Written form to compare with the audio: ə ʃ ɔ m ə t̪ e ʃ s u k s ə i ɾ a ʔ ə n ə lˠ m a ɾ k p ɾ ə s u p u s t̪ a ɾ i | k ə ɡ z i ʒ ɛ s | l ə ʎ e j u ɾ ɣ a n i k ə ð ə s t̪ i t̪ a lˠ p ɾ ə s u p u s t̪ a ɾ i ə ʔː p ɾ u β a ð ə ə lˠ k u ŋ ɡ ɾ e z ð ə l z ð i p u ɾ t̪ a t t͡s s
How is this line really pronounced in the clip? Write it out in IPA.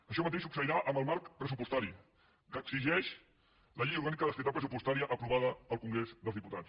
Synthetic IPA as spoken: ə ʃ ɔ m ə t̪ e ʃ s u k s ə i ɾ a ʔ ə m ə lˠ m a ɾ k p ɾ ə s u p u s t̪ a ɾ i | k ə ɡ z i ʒ ɛ ʃ | l ə ʎ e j u ɾ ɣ a n i k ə ð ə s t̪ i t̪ a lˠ p ɾ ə s u p u s t̪ a ɾ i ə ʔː p ɾ u β a ð ə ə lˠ k u ŋ ɡ ɾ e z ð ə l z ð i p u t̪ a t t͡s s